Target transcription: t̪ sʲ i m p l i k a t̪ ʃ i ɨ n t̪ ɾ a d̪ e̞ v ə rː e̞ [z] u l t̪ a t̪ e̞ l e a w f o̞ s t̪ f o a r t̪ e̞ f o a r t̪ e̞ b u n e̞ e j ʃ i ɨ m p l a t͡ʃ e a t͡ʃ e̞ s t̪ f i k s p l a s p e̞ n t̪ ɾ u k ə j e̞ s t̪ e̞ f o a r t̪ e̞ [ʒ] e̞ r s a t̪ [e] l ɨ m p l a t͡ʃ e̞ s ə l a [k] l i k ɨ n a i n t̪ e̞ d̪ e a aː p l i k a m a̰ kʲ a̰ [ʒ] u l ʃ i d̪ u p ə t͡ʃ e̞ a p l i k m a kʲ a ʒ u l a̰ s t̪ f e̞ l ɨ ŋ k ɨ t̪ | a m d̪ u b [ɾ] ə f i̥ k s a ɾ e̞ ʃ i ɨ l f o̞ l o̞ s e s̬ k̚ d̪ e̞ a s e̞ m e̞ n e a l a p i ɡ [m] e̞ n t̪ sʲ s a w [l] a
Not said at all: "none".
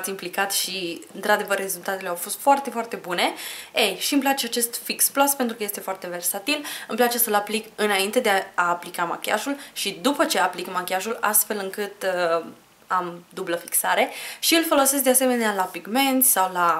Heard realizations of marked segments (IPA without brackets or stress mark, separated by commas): z, v, i, p, ʒ, l, m, l